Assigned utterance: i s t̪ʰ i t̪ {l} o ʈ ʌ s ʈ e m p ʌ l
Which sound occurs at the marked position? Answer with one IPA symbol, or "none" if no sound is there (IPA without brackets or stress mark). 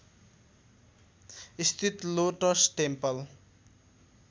l